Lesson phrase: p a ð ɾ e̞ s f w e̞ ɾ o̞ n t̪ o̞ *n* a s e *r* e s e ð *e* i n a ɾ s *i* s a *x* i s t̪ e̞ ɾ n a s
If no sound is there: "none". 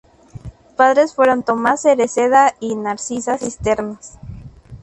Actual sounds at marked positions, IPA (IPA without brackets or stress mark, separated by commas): m, ɾ, a, i, s